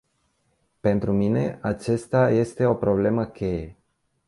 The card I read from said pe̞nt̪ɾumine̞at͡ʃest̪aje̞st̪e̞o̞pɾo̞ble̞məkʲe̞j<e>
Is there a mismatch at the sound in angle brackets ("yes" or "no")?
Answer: no